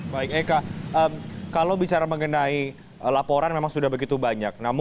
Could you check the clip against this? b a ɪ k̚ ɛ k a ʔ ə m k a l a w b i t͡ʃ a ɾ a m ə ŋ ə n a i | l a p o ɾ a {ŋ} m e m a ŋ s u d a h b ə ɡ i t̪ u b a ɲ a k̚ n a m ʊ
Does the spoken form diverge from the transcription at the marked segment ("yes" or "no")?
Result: yes